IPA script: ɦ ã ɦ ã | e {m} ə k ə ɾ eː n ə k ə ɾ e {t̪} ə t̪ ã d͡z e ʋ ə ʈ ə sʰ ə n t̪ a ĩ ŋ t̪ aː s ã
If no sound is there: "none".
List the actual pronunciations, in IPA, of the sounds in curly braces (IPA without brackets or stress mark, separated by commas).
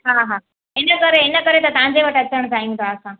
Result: n, t̪